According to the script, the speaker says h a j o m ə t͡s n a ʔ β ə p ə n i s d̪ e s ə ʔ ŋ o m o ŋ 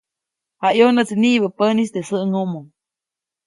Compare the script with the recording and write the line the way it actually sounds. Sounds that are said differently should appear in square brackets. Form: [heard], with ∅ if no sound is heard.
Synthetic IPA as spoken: h a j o [n] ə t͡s n [i] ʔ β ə p ə n i s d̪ e s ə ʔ ŋ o m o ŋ